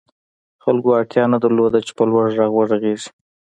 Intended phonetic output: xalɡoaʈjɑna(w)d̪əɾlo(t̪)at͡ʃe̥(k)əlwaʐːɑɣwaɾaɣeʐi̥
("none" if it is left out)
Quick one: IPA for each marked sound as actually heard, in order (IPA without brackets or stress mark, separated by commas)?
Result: none, d̪, p